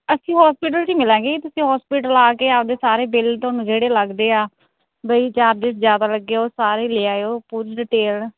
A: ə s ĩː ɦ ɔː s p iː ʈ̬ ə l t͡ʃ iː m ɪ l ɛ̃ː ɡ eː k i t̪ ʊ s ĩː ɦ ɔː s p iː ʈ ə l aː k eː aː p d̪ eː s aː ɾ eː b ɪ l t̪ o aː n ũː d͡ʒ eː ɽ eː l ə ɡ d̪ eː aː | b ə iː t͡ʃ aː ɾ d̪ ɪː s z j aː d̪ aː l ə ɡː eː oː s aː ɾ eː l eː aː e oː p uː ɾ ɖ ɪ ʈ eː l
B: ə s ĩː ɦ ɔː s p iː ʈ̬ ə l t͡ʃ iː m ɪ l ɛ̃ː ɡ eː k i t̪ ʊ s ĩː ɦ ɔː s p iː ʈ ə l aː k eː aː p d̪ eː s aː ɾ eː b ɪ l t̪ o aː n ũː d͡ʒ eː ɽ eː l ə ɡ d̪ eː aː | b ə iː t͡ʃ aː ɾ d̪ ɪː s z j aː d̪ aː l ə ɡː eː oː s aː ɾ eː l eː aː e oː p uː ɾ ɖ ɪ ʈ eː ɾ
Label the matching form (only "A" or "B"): A